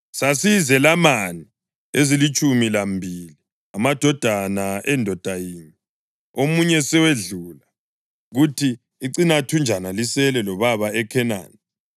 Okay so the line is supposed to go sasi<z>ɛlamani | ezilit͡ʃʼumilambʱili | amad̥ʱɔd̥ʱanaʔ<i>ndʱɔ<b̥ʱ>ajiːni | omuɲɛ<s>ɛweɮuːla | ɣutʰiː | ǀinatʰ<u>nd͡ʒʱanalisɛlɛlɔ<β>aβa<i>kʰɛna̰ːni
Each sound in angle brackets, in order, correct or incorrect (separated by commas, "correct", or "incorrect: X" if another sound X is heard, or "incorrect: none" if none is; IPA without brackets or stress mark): correct, incorrect: ɛ, incorrect: d̥ʱ, correct, correct, correct, incorrect: ɛ